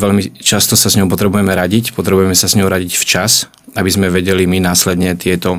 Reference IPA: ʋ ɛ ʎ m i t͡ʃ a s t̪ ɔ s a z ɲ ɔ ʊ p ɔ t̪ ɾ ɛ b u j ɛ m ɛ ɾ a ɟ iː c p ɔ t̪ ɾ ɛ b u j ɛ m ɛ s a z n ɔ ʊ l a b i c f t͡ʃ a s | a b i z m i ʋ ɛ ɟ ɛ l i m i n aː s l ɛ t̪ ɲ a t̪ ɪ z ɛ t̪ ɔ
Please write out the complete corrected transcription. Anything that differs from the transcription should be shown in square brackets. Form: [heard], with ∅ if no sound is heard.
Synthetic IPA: ʋ ɛ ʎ m i t͡ʃ a s t̪ ɔ s a z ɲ ɔ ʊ p ɔ t̪ ɾ ɛ b u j ɛ m ɛ ɾ a ɟ [i] c p ɔ t̪ ɾ ɛ b u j ɛ m ɛ s a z [ɲ] ɔ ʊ [ɾ] a [ɟ] i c f t͡ʃ a s | a b i z m [ɛ] ʋ ɛ ɟ ɛ l i m i n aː s l ɛ [d̪] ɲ [ɛ] t̪ ɪ [∅] ɛ t̪ ɔ